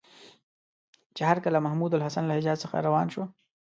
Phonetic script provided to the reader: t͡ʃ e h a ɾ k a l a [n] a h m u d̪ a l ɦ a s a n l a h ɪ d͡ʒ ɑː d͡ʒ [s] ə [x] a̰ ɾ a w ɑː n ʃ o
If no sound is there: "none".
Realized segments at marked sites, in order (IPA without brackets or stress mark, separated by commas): m, s, x